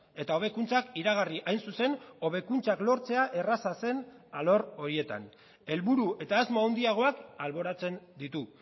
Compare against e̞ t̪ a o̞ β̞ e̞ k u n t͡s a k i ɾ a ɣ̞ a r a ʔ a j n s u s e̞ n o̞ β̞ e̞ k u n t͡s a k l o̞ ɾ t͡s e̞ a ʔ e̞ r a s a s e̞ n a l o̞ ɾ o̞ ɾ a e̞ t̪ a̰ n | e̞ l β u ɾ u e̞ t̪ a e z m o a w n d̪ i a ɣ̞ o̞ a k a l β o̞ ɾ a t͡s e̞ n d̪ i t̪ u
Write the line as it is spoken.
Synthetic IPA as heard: e̞ t̪ a o̞ β̞ e̞ k u n t͡s a k i ɾ a ɣ̞ a r i ʔ a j n s u s e̞ n o̞ β̞ e̞ k u n t͡s a k l o̞ ɾ t͡s e̞ a ʔ e̞ r a s a s e̞ n a l o̞ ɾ o̞ ɾ i e̞ t̪ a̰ n | e̞ l β u ɾ u e̞ t̪ a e z m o a w n d̪ i a ɣ̞ o̞ a k a l β o̞ ɾ a t͡s e̞ n d̪ i t̪ u